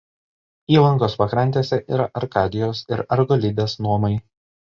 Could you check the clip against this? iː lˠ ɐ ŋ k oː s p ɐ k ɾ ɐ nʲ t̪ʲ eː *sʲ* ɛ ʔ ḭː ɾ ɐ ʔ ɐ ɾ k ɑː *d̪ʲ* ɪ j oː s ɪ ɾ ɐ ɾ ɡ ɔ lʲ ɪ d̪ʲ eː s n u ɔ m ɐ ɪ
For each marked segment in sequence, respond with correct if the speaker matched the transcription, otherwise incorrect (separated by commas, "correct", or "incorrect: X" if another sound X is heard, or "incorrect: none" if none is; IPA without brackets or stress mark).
correct, correct